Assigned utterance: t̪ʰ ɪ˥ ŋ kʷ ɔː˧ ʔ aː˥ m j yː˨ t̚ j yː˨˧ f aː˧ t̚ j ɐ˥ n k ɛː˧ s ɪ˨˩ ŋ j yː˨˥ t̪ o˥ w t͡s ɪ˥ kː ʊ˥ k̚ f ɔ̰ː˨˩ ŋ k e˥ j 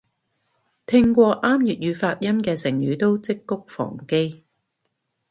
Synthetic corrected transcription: t̪ʰ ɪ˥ ŋ kʷ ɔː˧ ʔ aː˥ m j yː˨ t̚ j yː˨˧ f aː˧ t̚ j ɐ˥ m k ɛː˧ s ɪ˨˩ ŋ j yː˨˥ t̪ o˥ w t͡s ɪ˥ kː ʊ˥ k̚ f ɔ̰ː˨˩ ŋ k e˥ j

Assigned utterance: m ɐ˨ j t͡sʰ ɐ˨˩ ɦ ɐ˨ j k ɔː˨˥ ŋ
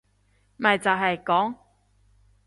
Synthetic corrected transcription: m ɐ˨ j t͡s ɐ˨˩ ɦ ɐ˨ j k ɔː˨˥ ŋ

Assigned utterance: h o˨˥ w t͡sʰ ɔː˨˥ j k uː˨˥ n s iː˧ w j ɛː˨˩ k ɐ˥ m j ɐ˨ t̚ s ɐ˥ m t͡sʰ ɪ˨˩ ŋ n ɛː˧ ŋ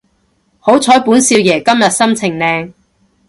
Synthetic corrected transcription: h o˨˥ w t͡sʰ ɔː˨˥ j p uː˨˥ n s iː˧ w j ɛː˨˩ k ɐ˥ m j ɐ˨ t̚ s ɐ˥ m t͡sʰ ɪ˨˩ ŋ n ɛː˧ ŋ

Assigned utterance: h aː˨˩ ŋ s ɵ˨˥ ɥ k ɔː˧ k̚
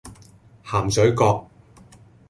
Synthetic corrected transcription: h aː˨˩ m s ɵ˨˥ ɥ k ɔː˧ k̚

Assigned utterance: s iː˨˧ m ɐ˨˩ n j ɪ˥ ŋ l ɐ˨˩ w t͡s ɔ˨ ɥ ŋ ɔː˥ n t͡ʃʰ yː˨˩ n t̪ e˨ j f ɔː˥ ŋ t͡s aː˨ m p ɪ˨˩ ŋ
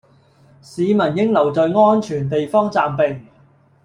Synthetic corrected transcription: s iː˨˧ m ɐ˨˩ n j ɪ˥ ŋ l ɐ˨˩ w t͡s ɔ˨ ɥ ŋ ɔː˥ n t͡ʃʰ yː˨˩ n t̪ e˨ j f ɔː˥ ŋ t͡s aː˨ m p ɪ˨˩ ŋ

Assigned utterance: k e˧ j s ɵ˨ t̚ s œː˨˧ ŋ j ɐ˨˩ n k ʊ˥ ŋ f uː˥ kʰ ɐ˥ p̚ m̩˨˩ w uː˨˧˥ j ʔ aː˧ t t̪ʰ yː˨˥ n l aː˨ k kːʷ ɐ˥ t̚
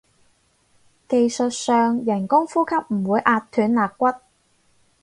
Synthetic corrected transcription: k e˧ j s ɵ˨ t̚ s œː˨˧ ŋ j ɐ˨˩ n k ʊ˥ ŋ f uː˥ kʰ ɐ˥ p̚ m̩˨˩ w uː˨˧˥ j ʔ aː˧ t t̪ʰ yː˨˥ n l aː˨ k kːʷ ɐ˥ t̚

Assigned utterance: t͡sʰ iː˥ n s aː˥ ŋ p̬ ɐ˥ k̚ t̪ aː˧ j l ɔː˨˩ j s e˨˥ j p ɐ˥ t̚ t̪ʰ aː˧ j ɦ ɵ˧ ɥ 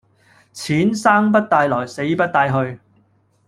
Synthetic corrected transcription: t͡sʰ iː˨˥ n s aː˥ ŋ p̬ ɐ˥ t̚ t̪ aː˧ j l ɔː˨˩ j s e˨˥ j p ɐ˥ t̚ t̪ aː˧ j ɦ ɵ˧ ɥ

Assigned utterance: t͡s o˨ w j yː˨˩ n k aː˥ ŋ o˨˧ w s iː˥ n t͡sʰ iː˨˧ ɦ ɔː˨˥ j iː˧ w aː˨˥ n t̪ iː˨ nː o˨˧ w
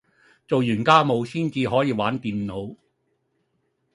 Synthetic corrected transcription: t͡s o˨ w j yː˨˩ n k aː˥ m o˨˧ w s iː˥ n t͡s iː˨˧ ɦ ɔː˨˥ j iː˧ w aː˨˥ n t̪ iː˨ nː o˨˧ w

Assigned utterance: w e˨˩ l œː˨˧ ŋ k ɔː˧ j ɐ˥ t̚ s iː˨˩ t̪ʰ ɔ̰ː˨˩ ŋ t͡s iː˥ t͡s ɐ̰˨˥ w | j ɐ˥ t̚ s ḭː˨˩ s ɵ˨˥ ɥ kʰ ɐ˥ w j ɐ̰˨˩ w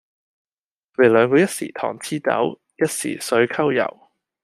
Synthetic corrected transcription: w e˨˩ l œː˨˧ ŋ k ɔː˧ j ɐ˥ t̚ s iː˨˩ t̪ʰ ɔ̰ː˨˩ ŋ t͡sʰ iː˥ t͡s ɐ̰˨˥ w | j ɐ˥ t̚ s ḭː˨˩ s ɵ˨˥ ɥ kʰ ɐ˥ w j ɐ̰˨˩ w

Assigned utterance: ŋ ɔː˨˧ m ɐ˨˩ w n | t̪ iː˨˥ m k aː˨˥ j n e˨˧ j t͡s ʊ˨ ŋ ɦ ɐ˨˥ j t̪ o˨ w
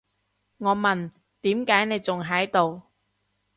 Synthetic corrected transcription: ŋ ɔː˨˧ m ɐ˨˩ n | t̪ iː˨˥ m k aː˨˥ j n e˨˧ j t͡s ʊ˨ ŋ ɦ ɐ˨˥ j t̪ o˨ w

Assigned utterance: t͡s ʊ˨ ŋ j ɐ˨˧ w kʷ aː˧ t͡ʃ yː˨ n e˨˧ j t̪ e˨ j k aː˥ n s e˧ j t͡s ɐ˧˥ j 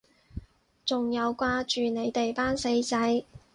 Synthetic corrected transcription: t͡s ʊ˨ ŋ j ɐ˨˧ w kʷ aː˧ t͡ʃ yː˨ n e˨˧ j t̪ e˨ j p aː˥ n s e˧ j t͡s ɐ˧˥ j

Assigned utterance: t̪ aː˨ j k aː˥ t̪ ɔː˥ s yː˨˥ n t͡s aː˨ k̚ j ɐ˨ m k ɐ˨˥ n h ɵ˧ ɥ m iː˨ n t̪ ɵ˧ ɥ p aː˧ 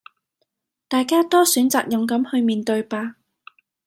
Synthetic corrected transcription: t̪ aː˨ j k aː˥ t̪ ɔː˥ s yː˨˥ n t͡s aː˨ k̚ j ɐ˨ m k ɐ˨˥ m h ɵ˧ ɥ m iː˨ n t̪ ɵ˧ ɥ p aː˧

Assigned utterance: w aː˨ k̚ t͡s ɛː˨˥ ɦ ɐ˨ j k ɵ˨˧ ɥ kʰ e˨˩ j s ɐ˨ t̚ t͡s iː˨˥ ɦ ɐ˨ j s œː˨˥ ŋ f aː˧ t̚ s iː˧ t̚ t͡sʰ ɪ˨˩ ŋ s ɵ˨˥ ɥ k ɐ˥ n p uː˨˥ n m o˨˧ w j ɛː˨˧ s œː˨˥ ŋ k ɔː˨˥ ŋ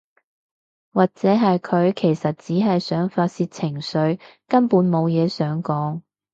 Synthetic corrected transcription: w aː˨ k̚ t͡s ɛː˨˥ ɦ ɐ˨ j kʰ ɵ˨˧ ɥ kʰ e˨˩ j s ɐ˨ t̚ t͡s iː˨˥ ɦ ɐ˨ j s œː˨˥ ŋ f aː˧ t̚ s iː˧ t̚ t͡sʰ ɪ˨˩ ŋ s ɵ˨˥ ɥ k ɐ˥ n p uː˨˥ n m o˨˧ w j ɛː˨˧ s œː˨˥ ŋ k ɔː˨˥ ŋ

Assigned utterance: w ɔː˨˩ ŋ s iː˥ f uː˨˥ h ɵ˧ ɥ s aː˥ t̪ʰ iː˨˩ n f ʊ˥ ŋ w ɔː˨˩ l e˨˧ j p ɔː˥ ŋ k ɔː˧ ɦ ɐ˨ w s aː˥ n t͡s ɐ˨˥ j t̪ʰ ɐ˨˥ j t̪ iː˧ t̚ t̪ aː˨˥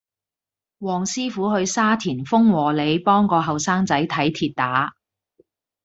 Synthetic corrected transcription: w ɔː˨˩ ŋ s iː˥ f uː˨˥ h ɵ˧ ɥ s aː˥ t̪ʰ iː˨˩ n f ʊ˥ ŋ w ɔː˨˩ l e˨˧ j p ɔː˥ ŋ k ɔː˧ ɦ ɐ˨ w s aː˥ ŋ t͡s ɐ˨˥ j t̪ʰ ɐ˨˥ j t̪ʰ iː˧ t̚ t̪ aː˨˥

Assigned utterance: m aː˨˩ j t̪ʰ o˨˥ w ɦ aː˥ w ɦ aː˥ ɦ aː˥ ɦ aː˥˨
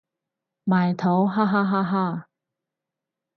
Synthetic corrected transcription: m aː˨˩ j t̪ʰ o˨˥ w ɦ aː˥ ɦ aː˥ ɦ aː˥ ɦ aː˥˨

